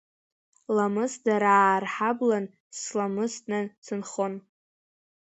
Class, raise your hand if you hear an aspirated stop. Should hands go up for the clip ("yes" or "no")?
no